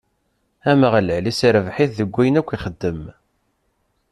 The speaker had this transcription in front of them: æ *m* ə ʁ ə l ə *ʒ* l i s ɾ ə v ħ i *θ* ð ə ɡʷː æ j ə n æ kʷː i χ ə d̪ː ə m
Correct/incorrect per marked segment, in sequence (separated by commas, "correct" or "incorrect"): correct, incorrect, correct